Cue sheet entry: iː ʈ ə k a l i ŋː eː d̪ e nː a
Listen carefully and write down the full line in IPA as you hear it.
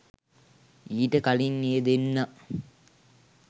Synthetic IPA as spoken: iː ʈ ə k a l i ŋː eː d̪ e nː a